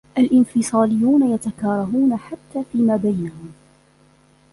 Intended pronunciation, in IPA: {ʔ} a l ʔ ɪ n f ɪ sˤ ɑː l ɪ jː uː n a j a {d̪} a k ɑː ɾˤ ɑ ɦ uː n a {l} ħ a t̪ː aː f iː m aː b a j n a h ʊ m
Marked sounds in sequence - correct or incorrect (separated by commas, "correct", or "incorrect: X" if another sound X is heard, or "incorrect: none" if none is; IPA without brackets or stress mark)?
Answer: correct, incorrect: t̪, incorrect: none